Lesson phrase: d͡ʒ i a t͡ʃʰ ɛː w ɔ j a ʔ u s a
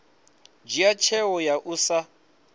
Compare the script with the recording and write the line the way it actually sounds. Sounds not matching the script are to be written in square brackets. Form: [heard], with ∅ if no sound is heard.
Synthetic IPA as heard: d͡ʒ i a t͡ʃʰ [ɛ] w ɔ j a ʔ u s a